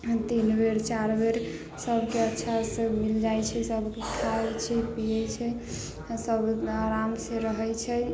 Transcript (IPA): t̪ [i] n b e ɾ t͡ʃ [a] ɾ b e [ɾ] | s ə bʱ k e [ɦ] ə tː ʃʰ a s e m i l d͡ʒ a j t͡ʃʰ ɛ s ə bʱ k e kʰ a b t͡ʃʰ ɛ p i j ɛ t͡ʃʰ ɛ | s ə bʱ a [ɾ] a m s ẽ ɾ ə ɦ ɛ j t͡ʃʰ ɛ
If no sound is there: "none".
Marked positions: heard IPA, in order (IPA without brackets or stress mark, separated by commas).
i, a, ɾ, none, ɾ